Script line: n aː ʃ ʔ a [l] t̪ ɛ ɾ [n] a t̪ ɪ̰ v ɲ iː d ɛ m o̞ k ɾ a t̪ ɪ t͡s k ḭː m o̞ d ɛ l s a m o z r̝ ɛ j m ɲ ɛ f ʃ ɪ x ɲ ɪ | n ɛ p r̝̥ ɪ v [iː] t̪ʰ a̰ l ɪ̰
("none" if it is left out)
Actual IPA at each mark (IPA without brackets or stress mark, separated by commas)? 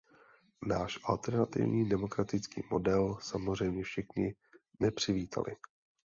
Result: l, n, iː